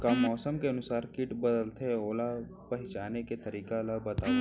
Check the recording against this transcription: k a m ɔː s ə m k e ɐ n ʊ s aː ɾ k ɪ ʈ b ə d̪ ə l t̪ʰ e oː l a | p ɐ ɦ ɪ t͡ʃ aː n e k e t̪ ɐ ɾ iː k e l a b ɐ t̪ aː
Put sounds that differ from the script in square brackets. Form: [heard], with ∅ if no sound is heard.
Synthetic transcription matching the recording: k a m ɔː s ə m k e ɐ n ʊ s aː ɾ k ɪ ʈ b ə d̪ ə l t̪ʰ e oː l a | p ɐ ɦ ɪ t͡ʃ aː n e k e t̪ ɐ ɾ iː k [a] l a b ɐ t̪ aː